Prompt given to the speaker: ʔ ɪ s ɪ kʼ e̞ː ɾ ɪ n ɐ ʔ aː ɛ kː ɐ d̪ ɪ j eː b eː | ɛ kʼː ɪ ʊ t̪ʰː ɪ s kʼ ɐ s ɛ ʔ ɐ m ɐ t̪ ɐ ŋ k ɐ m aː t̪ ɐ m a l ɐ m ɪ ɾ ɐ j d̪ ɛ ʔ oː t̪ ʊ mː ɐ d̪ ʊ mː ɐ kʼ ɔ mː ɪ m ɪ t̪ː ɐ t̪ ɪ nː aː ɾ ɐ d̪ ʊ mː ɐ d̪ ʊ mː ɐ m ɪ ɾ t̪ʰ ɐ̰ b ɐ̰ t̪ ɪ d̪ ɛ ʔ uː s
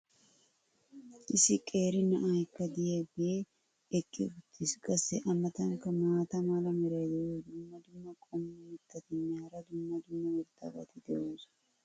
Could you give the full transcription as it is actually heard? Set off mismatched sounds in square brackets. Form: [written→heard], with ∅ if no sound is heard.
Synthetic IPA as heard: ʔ ɪ s ɪ kʼ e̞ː ɾ ɪ n ɐ ʔ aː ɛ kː ɐ d̪ ɪ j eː b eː | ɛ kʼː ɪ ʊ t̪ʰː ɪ s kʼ ɐ s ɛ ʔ ɐ m ɐ t̪ ɐ ŋ k ɐ m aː t̪ ɐ m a l ɐ m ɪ ɾ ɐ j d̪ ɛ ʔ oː [t̪→d̪] ʊ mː ɐ d̪ ʊ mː ɐ kʼ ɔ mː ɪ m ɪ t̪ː ɐ t̪ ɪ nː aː ɾ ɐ d̪ ʊ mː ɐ d̪ ʊ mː ɐ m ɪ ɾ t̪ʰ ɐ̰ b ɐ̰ t̪ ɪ d̪ ɛ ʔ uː s